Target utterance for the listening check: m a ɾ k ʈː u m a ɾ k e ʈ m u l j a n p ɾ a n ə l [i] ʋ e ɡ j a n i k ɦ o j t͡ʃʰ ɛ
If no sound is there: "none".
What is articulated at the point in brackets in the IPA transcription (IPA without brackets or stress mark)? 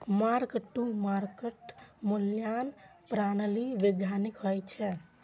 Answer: i